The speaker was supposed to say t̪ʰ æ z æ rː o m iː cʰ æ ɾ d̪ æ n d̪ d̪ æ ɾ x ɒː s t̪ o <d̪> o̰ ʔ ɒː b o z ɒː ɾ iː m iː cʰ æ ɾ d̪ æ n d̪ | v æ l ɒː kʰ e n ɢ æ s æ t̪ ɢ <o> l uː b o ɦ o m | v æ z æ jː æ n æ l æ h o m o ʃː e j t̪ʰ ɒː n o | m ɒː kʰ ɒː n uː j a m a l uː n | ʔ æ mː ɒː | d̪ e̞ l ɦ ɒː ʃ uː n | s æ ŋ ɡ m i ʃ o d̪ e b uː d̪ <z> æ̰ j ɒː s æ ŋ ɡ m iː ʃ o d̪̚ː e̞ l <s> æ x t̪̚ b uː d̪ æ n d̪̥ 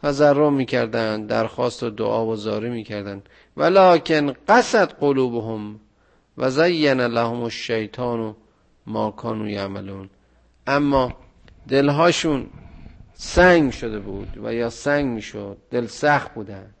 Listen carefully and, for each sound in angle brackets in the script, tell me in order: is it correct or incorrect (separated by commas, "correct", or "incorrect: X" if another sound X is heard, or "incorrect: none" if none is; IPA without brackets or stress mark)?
correct, correct, incorrect: v, correct